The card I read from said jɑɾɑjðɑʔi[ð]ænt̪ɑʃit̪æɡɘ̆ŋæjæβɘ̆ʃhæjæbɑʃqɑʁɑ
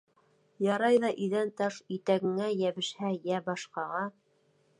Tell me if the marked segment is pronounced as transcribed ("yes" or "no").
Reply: yes